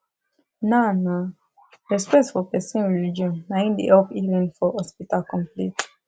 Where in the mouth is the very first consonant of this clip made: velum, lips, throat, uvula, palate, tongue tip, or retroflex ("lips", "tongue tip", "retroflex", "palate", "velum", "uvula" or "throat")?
tongue tip